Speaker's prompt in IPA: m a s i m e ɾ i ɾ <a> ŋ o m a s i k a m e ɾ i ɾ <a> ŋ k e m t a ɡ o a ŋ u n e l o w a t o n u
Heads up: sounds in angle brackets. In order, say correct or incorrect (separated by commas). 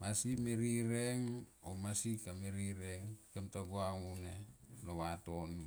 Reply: incorrect, incorrect